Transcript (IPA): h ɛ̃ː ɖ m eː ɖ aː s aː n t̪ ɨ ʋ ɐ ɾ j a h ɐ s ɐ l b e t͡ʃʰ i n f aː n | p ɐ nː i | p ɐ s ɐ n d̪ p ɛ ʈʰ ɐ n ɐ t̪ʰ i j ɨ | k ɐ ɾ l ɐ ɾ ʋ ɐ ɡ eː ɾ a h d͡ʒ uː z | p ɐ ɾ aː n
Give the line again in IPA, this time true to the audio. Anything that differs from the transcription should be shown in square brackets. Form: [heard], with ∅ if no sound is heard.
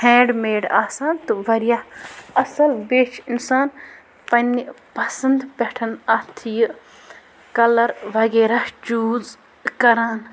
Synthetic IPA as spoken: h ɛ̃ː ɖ m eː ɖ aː s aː n t̪ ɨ ʋ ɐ ɾ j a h ɐ s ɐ l b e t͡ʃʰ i n [s] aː n | p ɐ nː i | p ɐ s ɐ n d̪ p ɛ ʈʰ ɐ n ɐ t̪ʰ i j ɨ | k ɐ [∅] l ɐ ɾ ʋ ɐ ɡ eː ɾ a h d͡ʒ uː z | [k] ɐ ɾ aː n